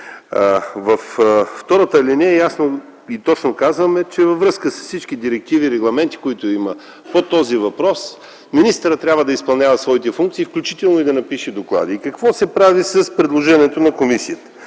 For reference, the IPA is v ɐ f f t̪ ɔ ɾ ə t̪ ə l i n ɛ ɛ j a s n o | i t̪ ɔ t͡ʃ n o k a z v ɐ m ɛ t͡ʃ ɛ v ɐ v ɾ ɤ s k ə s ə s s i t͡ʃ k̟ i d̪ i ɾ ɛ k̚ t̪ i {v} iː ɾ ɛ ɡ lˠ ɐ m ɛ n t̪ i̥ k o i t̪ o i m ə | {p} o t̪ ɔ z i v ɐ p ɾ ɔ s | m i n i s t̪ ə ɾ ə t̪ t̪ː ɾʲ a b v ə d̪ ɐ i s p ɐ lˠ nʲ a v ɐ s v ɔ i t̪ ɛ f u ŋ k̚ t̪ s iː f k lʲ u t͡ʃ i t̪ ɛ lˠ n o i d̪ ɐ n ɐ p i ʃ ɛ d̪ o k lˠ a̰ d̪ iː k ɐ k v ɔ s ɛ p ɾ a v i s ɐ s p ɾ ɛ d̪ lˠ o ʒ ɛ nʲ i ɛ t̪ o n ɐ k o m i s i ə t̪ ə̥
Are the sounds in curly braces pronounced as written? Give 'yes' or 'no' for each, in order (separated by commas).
yes, yes